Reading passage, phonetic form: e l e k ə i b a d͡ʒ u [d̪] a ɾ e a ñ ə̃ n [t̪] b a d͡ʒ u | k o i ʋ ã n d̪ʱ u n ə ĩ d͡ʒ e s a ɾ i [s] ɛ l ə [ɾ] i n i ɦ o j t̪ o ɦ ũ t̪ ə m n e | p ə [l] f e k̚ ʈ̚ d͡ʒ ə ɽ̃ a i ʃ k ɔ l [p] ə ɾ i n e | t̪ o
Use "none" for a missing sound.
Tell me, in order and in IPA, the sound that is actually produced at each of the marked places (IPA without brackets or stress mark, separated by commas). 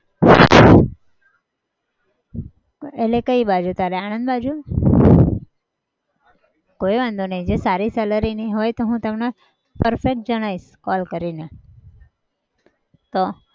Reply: t̪, d̪, s, ɾ, ɾ, k